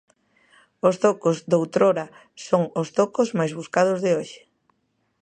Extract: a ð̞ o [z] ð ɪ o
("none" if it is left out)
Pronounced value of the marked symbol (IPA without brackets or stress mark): z